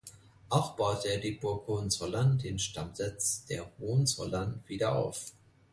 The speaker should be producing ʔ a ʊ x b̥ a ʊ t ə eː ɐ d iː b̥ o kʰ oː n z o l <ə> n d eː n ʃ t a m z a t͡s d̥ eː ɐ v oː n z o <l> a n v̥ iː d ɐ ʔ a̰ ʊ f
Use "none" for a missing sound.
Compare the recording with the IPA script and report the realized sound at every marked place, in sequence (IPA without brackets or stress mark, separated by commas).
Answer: a, l